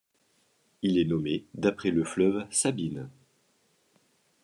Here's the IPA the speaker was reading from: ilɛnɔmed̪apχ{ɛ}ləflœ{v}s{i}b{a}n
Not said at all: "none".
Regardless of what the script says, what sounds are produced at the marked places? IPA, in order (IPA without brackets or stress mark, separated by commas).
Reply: ɛ, v, a, i